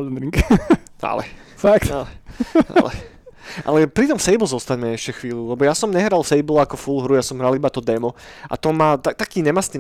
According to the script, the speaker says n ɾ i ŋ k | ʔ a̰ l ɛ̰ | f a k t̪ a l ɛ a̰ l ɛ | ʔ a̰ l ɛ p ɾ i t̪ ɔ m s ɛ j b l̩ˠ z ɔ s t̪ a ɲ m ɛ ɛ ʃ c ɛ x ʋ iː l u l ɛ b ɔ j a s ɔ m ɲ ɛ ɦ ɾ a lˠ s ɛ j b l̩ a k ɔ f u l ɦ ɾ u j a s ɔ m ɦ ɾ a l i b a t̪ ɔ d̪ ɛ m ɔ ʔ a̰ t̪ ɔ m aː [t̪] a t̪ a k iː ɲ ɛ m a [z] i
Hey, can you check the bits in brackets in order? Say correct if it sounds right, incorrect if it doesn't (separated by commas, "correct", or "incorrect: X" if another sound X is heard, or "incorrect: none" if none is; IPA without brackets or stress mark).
correct, incorrect: s